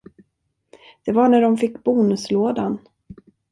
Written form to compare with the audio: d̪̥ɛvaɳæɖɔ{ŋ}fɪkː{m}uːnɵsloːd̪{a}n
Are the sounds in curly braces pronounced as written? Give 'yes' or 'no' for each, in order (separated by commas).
no, no, yes